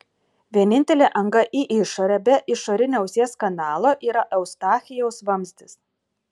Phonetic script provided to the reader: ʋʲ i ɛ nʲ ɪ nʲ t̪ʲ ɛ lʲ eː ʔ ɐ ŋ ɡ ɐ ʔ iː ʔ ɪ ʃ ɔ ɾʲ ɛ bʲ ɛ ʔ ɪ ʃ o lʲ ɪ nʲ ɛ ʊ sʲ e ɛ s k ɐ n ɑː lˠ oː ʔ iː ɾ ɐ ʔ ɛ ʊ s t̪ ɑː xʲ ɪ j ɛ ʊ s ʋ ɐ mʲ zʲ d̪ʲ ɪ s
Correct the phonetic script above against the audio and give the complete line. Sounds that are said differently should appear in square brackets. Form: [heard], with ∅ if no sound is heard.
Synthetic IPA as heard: ʋʲ i ɛ nʲ ɪ nʲ t̪ʲ ɛ lʲ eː ʔ ɐ ŋ ɡ ɐ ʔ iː ʔ ɪ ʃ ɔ ɾʲ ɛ bʲ ɛ ʔ ɪ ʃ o [ɾʲ] ɪ nʲ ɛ ʊ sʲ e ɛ s k ɐ n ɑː lˠ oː ʔ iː ɾ ɐ ʔ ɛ ʊ s t̪ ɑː xʲ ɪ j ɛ ʊ s ʋ ɐ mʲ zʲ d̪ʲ ɪ s